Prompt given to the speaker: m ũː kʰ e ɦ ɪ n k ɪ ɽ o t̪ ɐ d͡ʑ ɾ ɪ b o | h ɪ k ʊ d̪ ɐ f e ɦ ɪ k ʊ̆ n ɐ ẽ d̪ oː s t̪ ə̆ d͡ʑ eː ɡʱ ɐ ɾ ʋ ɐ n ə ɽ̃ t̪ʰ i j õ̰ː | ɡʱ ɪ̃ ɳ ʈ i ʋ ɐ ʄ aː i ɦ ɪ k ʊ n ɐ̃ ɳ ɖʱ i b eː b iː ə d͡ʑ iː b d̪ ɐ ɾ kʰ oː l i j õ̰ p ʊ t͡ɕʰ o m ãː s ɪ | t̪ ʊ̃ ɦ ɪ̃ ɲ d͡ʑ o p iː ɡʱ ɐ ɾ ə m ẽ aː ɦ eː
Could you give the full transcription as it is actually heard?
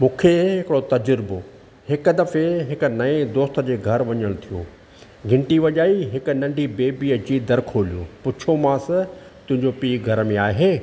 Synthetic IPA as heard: m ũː kʰ e ɦ ɪ k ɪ ɽ o t̪ ɐ d͡ʑ ɾ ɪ b o | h ɪ k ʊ d̪ ɐ f e ɦ ɪ k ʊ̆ n ɐ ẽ d̪ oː s t̪ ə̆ d͡ʑ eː ɡʱ ɐ ɾ ʋ ɐ ɲ ə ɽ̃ t̪ʰ i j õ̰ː | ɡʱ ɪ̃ ɳ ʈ i ʋ ɐ ʄ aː i ɦ ɪ k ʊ n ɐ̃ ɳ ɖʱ i b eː b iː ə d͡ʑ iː d̪ ɐ ɾ kʰ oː l i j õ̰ p ʊ t͡ɕʰ o m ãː s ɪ | t̪ ʊ̃ ɦ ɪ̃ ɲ d͡ʑ o p iː ɡʱ ɐ ɾ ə m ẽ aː ɦ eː